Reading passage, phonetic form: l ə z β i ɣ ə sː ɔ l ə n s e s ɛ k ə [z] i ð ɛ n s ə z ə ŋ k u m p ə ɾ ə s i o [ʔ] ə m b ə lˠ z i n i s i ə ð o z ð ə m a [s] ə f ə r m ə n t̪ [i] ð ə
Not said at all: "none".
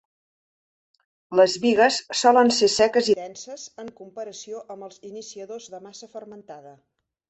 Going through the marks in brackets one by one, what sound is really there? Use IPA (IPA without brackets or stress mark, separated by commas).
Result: z, ʔ, s, a